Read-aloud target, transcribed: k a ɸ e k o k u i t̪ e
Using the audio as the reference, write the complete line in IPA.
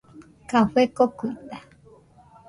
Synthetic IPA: k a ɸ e k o k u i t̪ a